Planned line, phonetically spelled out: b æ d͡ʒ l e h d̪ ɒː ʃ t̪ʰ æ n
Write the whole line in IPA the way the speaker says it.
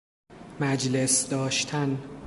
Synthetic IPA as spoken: m æ d͡ʒ l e s d̪ ɒː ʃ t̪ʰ æ n